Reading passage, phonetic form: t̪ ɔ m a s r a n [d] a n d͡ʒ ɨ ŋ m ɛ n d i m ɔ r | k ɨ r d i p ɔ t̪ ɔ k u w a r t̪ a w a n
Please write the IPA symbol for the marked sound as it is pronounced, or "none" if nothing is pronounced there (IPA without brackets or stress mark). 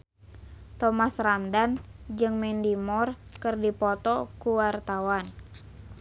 d